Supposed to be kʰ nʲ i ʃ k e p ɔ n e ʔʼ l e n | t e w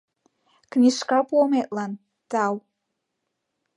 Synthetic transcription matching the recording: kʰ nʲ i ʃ k a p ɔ m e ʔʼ l a n | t a w